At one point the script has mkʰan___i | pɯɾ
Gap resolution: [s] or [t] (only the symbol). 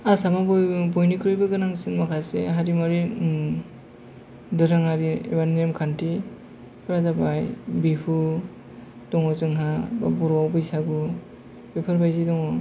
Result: t